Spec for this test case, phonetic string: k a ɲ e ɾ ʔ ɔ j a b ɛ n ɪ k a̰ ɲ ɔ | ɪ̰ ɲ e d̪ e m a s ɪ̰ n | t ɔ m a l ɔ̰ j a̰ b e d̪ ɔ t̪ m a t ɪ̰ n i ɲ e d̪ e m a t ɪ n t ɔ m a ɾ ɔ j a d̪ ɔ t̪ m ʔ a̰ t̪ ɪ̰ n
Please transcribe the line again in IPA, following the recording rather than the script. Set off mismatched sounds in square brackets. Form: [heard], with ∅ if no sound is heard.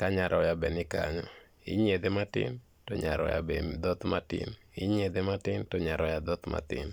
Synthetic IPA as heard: k a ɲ [a] ɾ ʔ ɔ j a b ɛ n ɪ k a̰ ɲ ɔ | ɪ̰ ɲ e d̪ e m a [t] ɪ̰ n | t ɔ [ɲ] a [ɾ] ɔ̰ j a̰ b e d̪ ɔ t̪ m a t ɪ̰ n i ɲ e d̪ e m a t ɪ n t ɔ [ɲ] a ɾ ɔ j a d̪ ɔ t̪ m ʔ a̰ t̪ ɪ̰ n